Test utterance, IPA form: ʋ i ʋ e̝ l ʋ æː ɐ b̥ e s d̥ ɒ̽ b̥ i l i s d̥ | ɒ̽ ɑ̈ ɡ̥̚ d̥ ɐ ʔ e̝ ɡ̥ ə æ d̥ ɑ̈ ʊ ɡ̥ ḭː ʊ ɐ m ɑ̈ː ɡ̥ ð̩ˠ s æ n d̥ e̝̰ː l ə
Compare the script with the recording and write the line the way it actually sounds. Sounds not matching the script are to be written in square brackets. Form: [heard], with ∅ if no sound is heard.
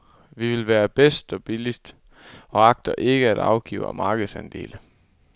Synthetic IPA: ʋ i ʋ e̝ l ʋ æː ɐ b̥ e s d̥ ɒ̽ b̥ i l i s d̥ | ɒ̽ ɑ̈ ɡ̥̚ d̥ ɐ ʔ e̝ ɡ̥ ə æ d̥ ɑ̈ ʊ ɡ̥ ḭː ʊ ɐ m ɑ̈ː ɡ̥ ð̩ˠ s æ n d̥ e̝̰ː l ə

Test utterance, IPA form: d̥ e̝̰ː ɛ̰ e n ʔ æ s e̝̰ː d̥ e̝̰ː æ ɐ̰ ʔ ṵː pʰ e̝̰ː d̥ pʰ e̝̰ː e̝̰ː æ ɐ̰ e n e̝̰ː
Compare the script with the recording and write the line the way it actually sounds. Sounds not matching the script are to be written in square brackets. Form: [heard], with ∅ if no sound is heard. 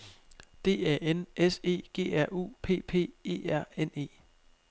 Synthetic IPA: d̥ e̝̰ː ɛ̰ e n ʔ [e] s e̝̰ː [ɡ̥] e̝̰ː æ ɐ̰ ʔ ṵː pʰ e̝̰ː [∅] pʰ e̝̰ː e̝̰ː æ ɐ̰ e n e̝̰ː

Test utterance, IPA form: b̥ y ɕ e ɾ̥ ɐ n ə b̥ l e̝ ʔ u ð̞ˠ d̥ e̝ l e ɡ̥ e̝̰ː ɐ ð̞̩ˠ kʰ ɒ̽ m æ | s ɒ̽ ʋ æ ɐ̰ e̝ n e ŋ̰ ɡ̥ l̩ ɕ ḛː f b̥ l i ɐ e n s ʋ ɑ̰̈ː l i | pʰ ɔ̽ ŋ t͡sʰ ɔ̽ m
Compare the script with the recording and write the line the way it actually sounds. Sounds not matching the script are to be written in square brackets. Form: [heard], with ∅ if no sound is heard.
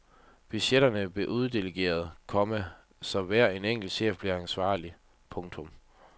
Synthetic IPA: b̥ y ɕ e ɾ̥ ɐ n ə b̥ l e̝ ʔ u ð̞ˠ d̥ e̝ l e ɡ̥ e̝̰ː ɐ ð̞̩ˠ kʰ ɒ̽ m æ | s ɒ̽ ʋ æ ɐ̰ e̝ n e ŋ̰ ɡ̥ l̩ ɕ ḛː f b̥ l i ɐ [æ] n s ʋ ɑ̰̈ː l i | pʰ ɔ̽ ŋ t͡sʰ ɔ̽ m

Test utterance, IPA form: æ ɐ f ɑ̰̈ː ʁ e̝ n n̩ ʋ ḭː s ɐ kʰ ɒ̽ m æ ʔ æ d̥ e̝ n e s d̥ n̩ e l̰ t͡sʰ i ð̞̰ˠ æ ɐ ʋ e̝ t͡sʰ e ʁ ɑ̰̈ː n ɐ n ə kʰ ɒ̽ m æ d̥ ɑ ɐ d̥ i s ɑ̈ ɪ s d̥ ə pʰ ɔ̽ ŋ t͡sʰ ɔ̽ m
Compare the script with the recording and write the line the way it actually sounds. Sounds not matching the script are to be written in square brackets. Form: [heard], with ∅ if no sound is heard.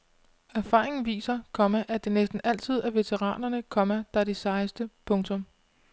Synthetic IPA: æ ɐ f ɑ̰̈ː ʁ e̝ [ŋ] n̩ ʋ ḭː s ɐ kʰ ɒ̽ m æ ʔ æ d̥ e̝ n e s d̥ n̩ [æ] l̰ t͡sʰ i ð̞̰ˠ æ ɐ ʋ e̝ t͡sʰ e ʁ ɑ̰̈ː n ɐ n ə kʰ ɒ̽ m æ d̥ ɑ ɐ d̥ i s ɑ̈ ɪ s d̥ ə pʰ ɔ̽ ŋ t͡sʰ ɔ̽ m

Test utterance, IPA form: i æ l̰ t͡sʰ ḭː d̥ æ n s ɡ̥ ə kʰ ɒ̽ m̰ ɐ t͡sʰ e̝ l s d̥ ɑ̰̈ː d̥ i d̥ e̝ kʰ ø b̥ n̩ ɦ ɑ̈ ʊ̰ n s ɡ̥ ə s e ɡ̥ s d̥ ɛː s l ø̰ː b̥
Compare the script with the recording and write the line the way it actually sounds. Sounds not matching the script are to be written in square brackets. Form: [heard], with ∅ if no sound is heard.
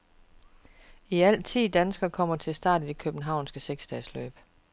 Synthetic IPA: i æ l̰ t͡sʰ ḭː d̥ æ n s ɡ̥ [ɐ] kʰ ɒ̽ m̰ ɐ t͡sʰ e̝ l s d̥ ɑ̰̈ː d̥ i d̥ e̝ kʰ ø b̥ n̩ ɦ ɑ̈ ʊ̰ n s ɡ̥ ə s e ɡ̥ s d̥ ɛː s l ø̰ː b̥

